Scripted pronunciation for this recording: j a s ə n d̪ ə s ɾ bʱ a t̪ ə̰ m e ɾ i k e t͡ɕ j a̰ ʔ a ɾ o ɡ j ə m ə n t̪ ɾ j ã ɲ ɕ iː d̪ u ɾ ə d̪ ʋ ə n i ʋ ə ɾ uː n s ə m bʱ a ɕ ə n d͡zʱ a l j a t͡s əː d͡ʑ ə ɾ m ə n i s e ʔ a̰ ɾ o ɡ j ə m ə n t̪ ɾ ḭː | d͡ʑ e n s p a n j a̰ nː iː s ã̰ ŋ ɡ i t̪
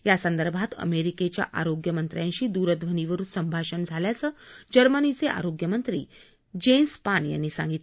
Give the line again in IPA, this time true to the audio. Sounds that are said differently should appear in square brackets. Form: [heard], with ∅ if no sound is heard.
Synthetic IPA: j a s ə n d̪ ə [∅] ɾ bʱ a t̪ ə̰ m e ɾ i k e t͡ɕ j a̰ ʔ a ɾ o ɡ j ə m ə n t̪ ɾ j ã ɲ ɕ iː d̪ u ɾ ə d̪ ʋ ə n i ʋ ə ɾ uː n s ə m bʱ a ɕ ə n d͡zʱ a l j a t͡s əː d͡ʑ ə ɾ m ə n i [t͡s] e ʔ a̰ ɾ o ɡ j ə m ə n t̪ ɾ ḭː | d͡ʑ e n s p a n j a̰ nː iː s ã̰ ŋ ɡ i t̪